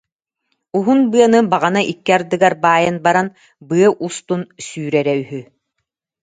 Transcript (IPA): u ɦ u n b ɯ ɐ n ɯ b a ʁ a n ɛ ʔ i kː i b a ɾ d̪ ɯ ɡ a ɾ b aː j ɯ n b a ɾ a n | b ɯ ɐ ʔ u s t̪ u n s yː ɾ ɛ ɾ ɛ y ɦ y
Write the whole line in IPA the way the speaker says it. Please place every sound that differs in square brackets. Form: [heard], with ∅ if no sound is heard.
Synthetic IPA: u ɦ u n b ɯ ɐ n ɯ b a ʁ a n [a] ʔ i kː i [∅] a ɾ d̪ ɯ ɡ a ɾ b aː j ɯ n b a ɾ a n | b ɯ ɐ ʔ u s t̪ u n s yː ɾ ɛ ɾ ɛ y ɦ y